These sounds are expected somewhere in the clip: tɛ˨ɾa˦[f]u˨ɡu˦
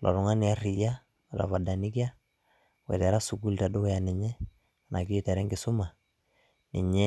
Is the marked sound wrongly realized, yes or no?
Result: yes